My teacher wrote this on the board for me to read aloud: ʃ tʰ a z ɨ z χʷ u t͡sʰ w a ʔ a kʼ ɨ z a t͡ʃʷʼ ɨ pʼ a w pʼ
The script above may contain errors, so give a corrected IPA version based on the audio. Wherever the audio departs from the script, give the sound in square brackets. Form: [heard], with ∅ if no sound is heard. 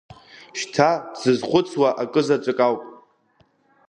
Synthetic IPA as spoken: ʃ tʰ a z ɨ z χʷ [ʊ] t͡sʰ w a ʔ a kʼ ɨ z a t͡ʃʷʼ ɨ [kʼ] a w pʼ